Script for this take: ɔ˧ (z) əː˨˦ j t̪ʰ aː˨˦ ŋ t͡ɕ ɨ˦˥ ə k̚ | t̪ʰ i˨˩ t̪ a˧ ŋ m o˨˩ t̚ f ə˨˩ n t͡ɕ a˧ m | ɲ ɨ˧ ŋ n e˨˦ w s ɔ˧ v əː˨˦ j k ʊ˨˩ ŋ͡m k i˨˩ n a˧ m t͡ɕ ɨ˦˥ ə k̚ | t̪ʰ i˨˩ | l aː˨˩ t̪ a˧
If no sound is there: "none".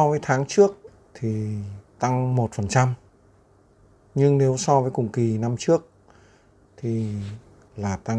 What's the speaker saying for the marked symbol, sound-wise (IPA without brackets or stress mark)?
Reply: v